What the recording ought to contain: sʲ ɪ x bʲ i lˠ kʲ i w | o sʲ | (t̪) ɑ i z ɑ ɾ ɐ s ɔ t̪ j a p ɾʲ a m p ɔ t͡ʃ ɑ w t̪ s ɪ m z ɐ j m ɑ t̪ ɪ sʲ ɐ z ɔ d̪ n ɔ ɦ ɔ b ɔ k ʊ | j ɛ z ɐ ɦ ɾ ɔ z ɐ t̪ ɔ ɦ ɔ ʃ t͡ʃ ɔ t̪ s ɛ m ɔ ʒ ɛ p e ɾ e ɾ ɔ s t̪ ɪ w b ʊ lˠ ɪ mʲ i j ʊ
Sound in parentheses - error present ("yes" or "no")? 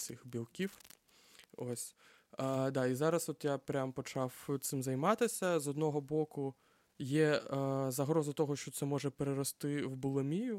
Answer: yes